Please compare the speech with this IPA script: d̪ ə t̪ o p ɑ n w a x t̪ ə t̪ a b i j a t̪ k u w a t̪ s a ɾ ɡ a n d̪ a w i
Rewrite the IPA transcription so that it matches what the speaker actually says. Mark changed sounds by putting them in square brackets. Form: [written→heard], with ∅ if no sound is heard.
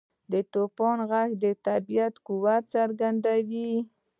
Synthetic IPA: d̪ ə t̪ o p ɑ n [w→ɣ] a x [t̪→d̪] ə t̪ a b i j a t̪ k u w a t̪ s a ɾ ɡ a n d̪ a w i